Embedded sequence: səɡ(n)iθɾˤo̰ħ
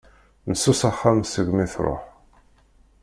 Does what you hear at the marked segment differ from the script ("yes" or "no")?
yes